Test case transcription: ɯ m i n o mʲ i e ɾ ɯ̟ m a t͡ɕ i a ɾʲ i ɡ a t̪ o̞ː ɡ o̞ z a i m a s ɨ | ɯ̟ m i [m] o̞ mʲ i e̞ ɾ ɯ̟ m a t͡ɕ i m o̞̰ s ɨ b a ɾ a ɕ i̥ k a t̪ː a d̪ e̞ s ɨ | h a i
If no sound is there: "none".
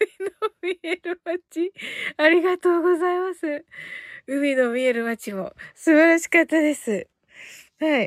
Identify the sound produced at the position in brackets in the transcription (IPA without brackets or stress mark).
n